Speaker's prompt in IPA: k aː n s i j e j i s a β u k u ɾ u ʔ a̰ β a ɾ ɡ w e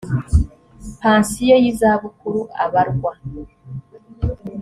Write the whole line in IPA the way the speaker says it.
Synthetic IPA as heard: p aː n s i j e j i z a β u k u ɾ u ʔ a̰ β a ɾ ɡ w a